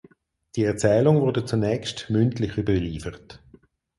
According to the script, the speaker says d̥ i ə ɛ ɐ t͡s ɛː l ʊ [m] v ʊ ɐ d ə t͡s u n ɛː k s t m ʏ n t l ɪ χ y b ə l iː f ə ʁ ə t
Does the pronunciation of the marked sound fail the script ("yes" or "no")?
yes